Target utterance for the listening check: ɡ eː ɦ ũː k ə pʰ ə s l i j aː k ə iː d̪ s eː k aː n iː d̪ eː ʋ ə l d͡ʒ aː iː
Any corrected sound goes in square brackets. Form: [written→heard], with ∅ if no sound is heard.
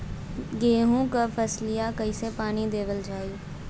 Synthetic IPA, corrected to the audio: ɡ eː ɦ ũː k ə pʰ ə s l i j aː k ə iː [d̪→∅] s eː [k→p] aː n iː d̪ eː ʋ ə l d͡ʒ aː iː